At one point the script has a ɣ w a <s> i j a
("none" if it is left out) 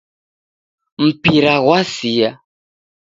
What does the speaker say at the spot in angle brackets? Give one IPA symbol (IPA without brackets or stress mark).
s